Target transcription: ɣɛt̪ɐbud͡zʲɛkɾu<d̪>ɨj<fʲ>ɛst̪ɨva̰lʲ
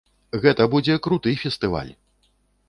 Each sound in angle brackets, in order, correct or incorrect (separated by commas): incorrect, correct